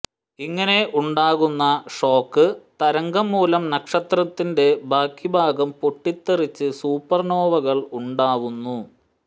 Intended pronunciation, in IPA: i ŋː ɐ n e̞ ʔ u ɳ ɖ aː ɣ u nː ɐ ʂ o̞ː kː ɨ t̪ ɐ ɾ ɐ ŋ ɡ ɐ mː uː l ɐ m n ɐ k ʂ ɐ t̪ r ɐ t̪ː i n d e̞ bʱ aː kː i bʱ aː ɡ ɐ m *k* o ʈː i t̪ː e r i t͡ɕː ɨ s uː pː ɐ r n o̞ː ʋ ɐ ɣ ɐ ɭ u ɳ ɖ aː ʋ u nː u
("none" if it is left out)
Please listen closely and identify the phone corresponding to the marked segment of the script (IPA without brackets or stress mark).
p